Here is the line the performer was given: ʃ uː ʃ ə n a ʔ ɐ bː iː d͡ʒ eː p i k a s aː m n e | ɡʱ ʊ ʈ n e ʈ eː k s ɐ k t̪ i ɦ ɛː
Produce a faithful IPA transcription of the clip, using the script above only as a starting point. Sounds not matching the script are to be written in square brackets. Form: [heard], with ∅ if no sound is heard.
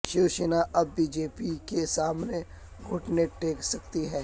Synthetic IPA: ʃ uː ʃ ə n a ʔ ɐ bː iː d͡ʒ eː p i k [e] s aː m n e | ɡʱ ʊ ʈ n e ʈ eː k s ɐ k t̪ i ɦ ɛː